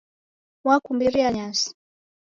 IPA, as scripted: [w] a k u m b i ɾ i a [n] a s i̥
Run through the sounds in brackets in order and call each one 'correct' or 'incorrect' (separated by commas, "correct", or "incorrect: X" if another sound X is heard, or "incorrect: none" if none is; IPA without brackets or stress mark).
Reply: correct, incorrect: ɲ